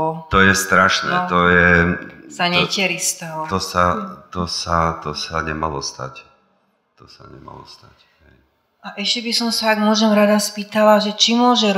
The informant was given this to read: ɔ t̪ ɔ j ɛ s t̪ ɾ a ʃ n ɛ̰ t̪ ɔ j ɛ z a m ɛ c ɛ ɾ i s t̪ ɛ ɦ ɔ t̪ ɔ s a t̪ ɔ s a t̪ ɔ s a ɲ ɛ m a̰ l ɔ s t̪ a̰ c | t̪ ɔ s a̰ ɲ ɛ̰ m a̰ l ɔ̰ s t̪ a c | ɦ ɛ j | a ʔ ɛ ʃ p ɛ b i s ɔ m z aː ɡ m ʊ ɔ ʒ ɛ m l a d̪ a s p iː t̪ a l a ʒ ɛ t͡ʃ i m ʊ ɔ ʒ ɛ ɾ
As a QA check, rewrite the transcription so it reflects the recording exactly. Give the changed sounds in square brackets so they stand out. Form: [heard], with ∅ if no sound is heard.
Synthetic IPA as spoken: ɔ t̪ ɔ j ɛ s t̪ ɾ a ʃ n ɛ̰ t̪ ɔ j ɛ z a [ɲ] ɛ c ɛ ɾ i s t̪ ɛ ɦ ɔ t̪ ɔ s a t̪ ɔ s a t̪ ɔ s a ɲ ɛ m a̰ l ɔ s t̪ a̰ c | t̪ ɔ s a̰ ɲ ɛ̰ m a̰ l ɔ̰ s t̪ a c | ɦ ɛ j | a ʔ ɛ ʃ [c] ɛ b i s ɔ m [s] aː ɡ m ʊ ɔ ʒ ɛ m [ɾ] a d̪ a s p iː t̪ a l a ʒ ɛ t͡ʃ i m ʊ ɔ ʒ ɛ ɾ